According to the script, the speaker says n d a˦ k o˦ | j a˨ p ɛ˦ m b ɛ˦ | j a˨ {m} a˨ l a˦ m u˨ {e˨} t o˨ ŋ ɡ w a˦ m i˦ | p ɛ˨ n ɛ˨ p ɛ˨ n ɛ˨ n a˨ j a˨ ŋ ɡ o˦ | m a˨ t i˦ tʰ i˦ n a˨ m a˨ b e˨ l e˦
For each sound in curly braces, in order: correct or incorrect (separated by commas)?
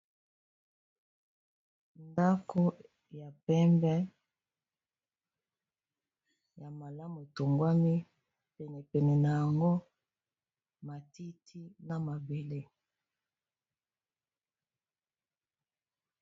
correct, correct